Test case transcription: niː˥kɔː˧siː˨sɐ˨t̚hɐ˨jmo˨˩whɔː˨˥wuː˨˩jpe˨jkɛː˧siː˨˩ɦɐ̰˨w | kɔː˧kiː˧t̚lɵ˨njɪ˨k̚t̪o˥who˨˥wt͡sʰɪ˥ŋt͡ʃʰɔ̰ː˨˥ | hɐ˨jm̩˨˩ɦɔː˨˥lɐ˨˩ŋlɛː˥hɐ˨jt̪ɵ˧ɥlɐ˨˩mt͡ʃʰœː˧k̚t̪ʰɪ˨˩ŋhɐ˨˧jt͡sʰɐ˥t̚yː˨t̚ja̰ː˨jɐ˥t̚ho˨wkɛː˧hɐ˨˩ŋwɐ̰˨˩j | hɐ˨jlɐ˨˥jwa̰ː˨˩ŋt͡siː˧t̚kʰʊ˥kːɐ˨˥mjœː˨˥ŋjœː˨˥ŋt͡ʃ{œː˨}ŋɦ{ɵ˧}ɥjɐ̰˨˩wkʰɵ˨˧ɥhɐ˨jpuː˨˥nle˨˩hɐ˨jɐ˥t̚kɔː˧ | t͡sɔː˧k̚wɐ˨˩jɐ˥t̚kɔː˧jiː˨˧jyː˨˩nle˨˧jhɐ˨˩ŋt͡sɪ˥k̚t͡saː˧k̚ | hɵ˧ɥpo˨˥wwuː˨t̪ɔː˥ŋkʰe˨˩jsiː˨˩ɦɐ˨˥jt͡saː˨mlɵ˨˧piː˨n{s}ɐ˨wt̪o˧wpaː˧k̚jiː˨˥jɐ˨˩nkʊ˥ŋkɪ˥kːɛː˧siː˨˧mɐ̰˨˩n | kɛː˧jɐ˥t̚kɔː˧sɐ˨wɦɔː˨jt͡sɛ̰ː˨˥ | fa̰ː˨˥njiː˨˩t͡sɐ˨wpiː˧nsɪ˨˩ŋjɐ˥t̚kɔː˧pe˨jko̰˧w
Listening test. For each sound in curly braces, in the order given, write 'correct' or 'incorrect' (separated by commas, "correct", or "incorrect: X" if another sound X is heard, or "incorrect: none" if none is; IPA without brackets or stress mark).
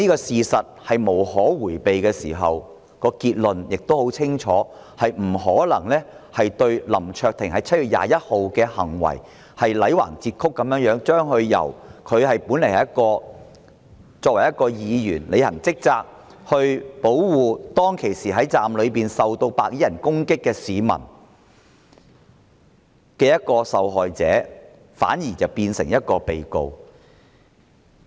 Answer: incorrect: œː˥, correct, correct